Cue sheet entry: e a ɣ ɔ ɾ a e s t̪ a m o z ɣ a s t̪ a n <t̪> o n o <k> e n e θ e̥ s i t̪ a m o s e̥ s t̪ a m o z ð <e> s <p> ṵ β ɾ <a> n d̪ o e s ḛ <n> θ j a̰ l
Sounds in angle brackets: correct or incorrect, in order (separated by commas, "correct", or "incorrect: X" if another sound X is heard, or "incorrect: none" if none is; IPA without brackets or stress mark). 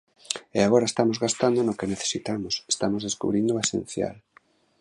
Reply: incorrect: d̪, correct, correct, incorrect: k, incorrect: i, correct